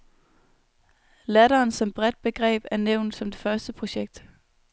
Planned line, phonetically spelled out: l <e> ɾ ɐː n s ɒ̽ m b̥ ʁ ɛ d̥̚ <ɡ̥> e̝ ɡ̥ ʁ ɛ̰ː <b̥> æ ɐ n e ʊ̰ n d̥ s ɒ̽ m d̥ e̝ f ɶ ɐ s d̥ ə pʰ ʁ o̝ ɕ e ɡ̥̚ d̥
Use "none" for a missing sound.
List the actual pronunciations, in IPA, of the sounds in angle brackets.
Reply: æ, b̥, b̥

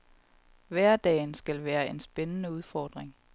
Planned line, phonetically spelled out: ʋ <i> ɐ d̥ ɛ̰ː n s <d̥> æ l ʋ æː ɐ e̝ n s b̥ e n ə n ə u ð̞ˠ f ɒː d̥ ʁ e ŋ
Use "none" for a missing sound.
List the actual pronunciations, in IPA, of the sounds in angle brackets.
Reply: æ, ɡ̥

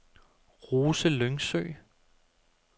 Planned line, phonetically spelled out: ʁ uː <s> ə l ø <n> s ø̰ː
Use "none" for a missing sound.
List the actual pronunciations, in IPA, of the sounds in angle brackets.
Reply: s, ŋ

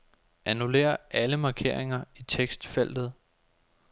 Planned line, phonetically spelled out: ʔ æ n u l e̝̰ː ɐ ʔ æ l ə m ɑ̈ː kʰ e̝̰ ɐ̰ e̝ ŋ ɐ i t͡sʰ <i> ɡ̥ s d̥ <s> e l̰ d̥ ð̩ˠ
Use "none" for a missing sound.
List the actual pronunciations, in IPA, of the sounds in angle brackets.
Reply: e, f

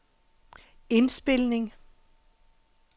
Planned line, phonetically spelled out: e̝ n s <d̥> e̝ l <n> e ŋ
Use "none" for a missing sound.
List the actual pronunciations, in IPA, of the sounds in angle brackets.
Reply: b̥, n

